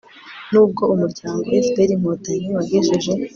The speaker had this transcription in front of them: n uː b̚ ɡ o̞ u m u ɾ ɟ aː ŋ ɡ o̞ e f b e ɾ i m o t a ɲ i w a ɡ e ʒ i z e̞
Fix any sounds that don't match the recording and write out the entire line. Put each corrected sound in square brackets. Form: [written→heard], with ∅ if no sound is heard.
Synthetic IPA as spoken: n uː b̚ ɡ o̞ u m u ɾ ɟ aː ŋ ɡ o̞ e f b e ɾ i m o t a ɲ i w a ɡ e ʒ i [z→ʒ] e̞